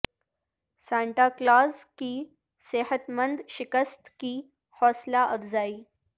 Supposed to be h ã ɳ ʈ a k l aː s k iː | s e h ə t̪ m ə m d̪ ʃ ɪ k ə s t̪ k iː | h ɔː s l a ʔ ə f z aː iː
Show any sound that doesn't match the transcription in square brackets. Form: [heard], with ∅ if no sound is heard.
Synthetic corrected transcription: [s] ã ɳ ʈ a k l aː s k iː | s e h ə t̪ m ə [n] d̪ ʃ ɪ k ə s t̪ k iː | h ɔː s l a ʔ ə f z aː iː